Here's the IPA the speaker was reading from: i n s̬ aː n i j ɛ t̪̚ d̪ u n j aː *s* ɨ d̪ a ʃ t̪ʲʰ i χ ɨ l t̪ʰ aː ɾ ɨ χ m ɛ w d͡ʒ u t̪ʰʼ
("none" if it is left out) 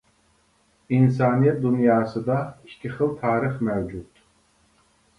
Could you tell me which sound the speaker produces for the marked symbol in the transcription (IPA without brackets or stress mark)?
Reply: s